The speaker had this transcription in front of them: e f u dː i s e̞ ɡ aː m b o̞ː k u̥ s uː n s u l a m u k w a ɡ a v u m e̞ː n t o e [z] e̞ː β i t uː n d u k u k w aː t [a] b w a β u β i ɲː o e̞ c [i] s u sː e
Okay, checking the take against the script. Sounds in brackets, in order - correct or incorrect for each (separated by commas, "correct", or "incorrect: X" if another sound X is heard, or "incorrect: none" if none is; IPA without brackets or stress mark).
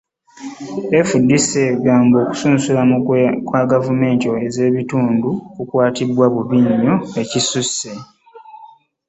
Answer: correct, incorrect: i, correct